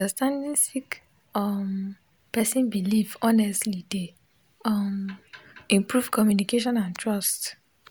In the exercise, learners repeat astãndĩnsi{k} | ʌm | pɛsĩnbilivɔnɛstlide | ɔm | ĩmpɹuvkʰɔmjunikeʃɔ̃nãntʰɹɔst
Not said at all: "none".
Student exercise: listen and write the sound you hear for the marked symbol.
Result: k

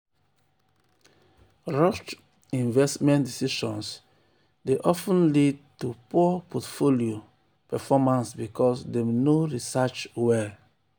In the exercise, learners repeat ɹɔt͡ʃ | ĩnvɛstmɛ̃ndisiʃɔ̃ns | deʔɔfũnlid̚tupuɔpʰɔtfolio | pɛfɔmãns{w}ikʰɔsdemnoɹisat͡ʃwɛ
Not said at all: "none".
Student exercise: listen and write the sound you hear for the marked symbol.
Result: b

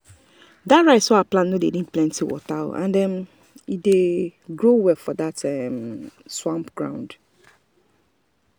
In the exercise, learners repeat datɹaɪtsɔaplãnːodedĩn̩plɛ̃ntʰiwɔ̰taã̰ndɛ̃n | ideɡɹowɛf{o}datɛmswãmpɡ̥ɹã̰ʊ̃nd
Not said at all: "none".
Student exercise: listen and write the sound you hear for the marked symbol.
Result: ɔ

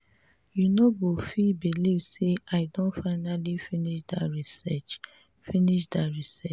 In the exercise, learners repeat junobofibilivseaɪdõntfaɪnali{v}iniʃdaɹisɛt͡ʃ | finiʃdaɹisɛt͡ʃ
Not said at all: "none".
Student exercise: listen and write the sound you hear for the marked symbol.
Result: f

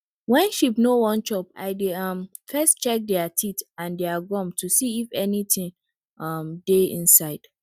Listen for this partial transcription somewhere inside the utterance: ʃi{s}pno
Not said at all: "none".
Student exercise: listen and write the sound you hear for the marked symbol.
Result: none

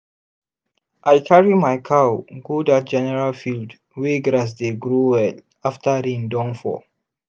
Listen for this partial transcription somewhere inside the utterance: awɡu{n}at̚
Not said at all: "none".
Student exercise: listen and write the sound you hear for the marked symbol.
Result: d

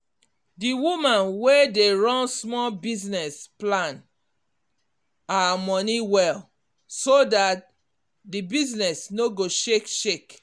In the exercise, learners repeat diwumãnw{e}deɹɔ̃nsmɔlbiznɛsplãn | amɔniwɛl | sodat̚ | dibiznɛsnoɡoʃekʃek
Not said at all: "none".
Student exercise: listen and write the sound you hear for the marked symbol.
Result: e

